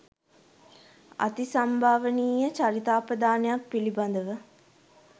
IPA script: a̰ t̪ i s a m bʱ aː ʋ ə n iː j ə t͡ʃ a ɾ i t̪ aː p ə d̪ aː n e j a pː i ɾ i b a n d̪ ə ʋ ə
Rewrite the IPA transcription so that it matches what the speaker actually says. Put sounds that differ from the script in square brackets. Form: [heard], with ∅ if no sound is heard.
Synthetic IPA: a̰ t̪ i s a m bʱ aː ʋ ə n iː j ə t͡ʃ a ɾ i t̪ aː p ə d̪ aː n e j a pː i [l] i b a n d̪ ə ʋ ə